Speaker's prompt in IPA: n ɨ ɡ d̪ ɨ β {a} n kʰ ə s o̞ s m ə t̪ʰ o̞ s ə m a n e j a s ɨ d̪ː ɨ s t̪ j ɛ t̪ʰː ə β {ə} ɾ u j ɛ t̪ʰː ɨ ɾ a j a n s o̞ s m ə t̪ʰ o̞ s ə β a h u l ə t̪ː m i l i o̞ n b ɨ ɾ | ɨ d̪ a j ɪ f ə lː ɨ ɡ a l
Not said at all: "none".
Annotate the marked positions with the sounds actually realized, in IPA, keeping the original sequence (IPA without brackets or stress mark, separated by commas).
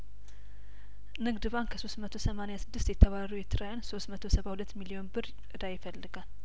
a, a